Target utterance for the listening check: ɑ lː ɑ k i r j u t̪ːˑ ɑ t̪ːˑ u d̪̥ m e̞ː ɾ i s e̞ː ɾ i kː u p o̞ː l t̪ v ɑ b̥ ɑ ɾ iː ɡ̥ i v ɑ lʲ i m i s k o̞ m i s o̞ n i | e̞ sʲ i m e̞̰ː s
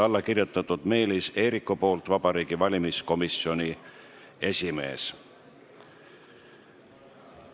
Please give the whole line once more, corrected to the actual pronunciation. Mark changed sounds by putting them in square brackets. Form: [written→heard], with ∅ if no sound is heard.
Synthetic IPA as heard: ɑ lː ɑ k i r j u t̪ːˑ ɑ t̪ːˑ u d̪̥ m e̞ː [ɾ→l] i s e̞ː ɾ i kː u p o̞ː l t̪ v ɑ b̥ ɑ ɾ iː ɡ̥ i v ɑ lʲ i m i s k o̞ m i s o̞ n i | e̞ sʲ i m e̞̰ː s